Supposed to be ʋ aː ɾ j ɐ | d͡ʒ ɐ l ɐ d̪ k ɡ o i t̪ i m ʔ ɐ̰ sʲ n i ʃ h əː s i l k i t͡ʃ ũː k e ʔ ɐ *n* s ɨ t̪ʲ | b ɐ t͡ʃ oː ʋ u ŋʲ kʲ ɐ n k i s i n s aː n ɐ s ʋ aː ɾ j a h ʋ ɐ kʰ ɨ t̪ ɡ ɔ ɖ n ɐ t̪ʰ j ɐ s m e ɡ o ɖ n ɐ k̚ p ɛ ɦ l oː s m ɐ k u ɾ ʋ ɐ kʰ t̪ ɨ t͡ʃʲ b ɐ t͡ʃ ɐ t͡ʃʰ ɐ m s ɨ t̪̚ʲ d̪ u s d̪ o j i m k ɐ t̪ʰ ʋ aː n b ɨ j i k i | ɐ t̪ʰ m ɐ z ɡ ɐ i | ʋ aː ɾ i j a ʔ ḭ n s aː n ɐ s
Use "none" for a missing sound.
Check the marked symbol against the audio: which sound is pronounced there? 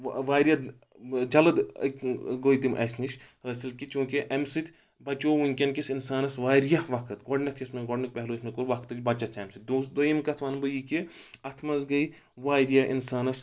m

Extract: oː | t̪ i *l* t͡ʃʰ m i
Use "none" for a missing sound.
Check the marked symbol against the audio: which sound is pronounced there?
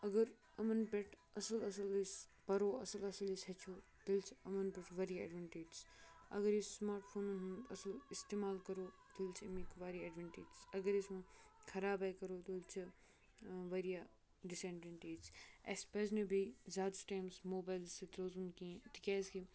l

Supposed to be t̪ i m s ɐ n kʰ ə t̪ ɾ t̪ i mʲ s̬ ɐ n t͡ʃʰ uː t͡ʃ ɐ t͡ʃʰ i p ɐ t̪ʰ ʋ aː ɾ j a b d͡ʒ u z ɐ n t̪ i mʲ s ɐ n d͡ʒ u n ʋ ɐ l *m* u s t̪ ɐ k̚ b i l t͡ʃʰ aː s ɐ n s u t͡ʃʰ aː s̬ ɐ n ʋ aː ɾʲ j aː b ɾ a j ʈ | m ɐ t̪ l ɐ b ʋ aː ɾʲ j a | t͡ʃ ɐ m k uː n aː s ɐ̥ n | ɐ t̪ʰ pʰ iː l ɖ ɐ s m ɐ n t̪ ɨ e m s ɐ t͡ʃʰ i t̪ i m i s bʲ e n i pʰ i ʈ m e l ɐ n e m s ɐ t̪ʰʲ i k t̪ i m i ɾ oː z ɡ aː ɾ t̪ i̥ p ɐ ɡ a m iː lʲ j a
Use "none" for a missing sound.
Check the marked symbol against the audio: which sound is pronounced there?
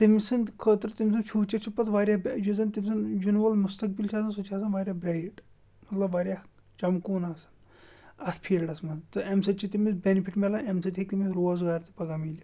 m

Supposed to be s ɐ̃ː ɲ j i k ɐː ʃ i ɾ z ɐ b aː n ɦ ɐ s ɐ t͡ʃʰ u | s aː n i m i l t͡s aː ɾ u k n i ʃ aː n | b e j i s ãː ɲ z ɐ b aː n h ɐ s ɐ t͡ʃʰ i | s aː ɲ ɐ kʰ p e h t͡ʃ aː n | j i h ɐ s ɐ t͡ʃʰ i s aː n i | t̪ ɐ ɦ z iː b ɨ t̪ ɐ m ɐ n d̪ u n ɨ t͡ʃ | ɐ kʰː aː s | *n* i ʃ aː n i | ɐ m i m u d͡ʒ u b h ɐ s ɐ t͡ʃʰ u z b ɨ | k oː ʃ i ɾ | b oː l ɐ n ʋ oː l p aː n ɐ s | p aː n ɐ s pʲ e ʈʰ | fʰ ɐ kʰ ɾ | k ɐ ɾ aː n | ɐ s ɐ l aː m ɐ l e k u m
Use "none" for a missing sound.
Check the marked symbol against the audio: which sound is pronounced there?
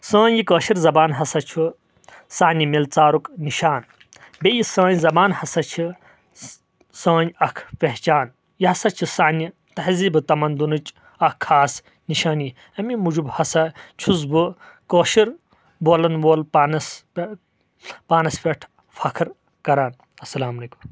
n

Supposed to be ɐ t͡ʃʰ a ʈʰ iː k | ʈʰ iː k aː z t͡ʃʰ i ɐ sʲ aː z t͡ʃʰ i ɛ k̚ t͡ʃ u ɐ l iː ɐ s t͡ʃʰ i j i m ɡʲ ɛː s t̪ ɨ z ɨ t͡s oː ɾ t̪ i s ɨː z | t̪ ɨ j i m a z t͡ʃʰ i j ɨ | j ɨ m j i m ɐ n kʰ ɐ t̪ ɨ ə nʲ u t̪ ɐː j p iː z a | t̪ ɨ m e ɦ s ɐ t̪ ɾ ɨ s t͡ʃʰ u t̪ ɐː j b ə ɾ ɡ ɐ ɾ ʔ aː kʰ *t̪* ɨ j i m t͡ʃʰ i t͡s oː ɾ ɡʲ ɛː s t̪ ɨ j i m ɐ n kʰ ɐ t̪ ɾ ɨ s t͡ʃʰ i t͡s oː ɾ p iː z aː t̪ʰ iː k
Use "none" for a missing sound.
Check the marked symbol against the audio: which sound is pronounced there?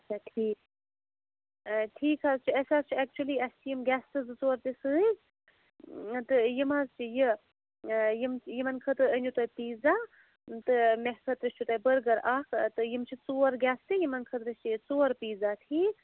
t̪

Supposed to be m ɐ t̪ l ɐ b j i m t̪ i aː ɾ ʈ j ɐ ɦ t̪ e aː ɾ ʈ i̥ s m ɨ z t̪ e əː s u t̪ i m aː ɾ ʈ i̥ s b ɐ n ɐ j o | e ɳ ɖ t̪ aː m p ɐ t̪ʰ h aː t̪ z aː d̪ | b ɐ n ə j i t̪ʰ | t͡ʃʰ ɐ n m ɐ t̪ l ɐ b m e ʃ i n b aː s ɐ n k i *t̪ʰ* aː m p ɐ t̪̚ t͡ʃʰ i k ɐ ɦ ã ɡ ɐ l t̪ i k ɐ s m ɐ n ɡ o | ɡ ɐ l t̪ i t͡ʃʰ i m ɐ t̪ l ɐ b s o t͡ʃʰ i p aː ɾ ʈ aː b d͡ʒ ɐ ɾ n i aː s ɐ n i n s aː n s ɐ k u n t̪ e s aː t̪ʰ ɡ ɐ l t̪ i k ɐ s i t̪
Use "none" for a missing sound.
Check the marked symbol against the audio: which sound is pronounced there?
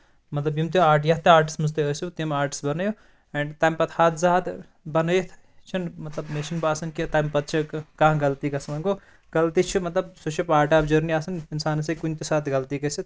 t̪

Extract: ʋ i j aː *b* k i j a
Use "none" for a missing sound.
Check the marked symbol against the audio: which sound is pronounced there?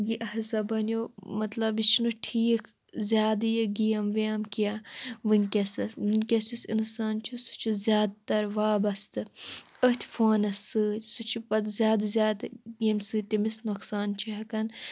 m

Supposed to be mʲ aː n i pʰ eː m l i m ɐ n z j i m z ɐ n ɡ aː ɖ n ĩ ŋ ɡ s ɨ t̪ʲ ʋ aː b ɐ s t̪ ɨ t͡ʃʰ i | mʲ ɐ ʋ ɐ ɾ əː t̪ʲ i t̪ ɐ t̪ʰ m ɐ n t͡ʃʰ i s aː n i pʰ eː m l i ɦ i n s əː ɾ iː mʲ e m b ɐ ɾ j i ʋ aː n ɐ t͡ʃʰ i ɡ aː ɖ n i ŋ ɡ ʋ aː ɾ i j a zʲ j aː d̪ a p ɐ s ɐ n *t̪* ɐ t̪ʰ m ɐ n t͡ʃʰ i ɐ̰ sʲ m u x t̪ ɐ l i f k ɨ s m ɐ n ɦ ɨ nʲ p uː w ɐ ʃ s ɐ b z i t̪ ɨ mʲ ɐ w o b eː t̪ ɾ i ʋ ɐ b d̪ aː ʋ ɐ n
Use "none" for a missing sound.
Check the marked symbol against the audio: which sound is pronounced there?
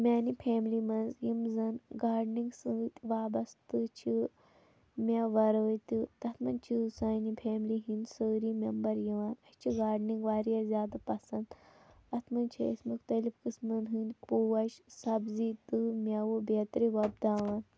d̪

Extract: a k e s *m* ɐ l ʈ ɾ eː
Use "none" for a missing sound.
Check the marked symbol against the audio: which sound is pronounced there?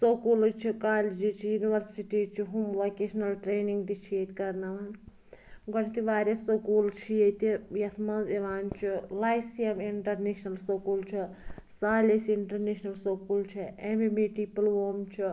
n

